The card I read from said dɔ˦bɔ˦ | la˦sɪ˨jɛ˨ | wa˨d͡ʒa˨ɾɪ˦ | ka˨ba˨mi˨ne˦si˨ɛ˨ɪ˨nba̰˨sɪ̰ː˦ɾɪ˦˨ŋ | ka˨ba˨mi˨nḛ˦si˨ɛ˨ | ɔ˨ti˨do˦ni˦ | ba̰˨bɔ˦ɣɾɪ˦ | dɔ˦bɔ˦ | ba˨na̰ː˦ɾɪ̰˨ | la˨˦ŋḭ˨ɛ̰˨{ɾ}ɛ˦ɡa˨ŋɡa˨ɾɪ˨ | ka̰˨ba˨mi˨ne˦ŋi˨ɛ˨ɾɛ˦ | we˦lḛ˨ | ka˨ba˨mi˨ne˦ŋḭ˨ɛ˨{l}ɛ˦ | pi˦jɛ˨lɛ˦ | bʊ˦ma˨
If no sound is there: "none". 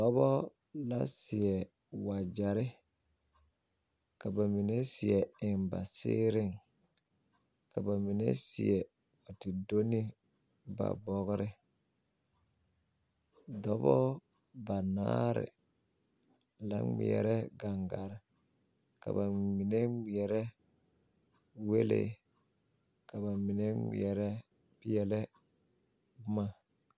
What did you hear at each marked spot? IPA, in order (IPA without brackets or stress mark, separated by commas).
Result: ɾ, ɾ